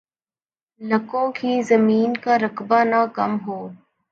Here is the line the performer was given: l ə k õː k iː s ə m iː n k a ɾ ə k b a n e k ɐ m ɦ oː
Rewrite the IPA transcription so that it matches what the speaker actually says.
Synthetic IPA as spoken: l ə k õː k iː z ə m iː n k a ɾ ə k b a n a k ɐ m ɦ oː

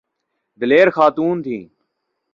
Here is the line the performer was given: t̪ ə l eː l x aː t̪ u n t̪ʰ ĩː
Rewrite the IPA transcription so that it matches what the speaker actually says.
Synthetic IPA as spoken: d̪ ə l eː ɾ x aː t̪ uː n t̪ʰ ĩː

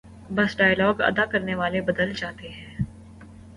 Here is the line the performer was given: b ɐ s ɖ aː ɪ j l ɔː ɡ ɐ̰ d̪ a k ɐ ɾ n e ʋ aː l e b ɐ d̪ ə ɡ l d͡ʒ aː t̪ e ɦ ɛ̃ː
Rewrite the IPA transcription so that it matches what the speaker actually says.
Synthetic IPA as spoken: b ɐ s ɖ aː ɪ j l ɔː ɡ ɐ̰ d̪ a k ɐ ɾ n e ʋ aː l e b ɐ d̪ ə l d͡ʒ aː t̪ e ɦ ɛ̃ː

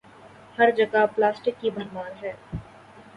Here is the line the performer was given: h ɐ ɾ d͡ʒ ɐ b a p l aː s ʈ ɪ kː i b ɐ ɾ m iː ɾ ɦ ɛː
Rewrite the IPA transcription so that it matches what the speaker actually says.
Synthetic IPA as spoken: h ɐ ɾ d͡ʒ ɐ ɡ a p l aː s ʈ ɪ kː i b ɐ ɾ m aː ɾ ɦ ɛː

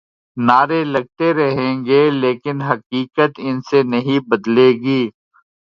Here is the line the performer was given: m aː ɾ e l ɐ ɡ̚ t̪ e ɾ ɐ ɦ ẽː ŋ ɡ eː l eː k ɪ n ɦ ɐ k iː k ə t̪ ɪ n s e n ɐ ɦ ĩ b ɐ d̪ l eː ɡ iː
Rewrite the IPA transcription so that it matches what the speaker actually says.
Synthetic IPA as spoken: n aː ɾ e l ɐ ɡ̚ t̪ e ɾ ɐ ɦ ẽː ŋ ɡ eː l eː k ɪ n ɦ ɐ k iː k ə t̪ ɪ n s e n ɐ ɦ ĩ b ɐ d̪ l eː ɡ iː

